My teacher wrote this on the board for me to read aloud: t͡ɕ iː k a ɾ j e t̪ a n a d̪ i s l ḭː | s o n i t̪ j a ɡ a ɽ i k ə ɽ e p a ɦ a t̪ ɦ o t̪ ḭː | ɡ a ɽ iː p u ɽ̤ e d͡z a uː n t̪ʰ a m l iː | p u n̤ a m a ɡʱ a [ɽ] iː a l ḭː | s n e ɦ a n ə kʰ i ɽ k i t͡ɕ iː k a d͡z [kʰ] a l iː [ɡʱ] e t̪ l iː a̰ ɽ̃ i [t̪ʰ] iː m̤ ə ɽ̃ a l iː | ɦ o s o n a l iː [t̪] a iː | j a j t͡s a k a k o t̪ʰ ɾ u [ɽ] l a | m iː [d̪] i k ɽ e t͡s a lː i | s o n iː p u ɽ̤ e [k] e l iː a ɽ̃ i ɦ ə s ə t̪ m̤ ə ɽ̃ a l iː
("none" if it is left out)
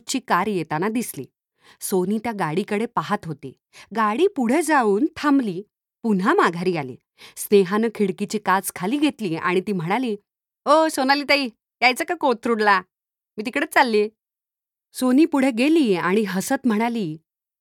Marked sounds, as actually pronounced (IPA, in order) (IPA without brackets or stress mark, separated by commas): ɾ, kʰ, ɡʱ, t̪, t̪, ɽ, t̪, ɡ